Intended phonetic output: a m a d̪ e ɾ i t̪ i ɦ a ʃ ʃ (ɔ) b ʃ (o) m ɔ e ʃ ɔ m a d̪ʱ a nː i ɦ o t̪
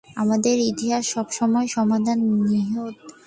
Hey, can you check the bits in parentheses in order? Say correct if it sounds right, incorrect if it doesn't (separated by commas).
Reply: correct, incorrect